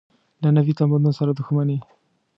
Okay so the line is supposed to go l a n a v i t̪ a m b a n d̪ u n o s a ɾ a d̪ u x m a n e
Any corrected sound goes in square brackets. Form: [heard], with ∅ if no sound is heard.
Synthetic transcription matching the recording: l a n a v i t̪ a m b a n d̪ u n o s a ɾ a d̪ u x m a n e